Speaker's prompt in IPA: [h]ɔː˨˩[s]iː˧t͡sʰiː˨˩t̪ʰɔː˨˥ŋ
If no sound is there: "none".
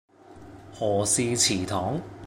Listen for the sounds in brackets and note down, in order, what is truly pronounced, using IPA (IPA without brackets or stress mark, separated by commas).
h, s